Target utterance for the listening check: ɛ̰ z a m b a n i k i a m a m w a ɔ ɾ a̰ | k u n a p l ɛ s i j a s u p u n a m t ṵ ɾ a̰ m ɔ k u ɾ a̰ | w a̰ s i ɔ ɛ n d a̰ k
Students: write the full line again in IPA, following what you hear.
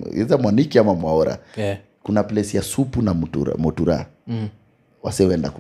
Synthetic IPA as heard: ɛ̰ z a m w a n i k i a m a m w a ɔ ɾ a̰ | k u n a p l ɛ s i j a s u p u n a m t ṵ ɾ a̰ m ɔ t u ɾ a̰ | w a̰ s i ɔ ɛ n d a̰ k